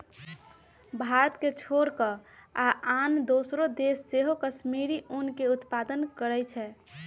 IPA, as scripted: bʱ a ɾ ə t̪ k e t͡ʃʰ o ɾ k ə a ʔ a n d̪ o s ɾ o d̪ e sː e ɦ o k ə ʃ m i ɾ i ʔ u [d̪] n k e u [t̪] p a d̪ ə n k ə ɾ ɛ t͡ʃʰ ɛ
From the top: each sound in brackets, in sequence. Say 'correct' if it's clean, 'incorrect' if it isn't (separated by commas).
incorrect, correct